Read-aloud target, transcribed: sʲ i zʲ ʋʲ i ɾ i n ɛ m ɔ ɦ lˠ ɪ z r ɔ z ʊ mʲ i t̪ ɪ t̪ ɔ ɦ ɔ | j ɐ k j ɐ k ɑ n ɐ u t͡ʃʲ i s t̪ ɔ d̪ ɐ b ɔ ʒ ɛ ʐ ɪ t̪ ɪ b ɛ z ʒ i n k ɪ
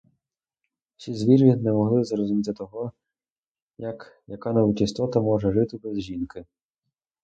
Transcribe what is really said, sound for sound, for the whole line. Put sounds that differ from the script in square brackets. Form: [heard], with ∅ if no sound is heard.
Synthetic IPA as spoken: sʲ i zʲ ʋʲ i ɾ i n ɛ m ɔ ɦ lˠ ɪ z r ɔ z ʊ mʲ i t̪ ɪ t̪ ɔ ɦ ɔ | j ɐ k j ɐ k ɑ n ɐ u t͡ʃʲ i s t̪ ɔ [t̪] ɐ [m] ɔ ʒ ɛ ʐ ɪ t̪ ɪ b ɛ z ʒ i n k ɪ